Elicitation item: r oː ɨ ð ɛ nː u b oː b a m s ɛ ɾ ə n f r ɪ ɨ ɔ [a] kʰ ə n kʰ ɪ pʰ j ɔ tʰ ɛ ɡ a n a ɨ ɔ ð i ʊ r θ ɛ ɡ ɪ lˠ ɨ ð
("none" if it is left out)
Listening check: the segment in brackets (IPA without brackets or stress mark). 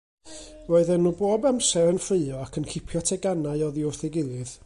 a